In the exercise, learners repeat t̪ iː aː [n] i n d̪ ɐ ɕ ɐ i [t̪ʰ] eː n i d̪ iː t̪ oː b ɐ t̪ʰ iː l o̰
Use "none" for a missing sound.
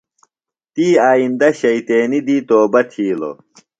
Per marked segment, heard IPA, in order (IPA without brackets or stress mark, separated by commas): none, t̪